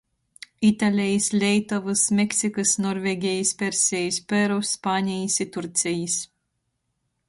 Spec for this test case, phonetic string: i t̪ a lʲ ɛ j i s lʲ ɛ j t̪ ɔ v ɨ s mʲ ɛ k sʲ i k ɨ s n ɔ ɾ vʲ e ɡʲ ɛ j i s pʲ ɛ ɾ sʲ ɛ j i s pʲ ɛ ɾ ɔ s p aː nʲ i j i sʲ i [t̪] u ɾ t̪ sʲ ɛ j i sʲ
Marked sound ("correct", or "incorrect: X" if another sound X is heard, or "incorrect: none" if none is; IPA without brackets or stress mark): correct